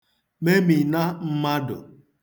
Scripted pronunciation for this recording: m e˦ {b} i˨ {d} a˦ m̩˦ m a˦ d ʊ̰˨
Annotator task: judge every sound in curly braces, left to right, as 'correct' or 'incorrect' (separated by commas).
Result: incorrect, incorrect